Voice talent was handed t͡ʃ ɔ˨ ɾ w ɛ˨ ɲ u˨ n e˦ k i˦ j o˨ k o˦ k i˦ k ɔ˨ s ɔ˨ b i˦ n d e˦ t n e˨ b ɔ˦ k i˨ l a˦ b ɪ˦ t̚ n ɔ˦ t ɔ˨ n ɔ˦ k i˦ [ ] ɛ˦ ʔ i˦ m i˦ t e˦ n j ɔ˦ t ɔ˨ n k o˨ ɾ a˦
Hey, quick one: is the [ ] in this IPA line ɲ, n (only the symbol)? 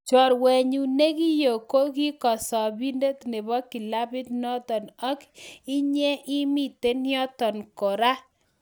ɲ